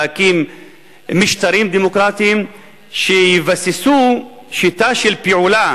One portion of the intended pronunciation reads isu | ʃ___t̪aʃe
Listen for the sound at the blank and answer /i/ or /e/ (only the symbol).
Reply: i